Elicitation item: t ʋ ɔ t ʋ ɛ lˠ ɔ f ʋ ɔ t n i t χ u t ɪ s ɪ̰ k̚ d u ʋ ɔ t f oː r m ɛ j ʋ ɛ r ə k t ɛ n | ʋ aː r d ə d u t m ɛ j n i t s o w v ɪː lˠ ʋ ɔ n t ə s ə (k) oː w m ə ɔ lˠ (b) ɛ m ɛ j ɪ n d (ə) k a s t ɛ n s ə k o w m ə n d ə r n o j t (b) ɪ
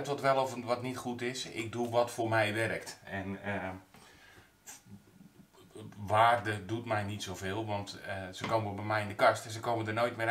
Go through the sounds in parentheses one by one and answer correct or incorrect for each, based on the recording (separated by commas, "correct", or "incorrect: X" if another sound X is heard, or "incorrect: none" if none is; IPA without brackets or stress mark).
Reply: correct, correct, correct, incorrect: m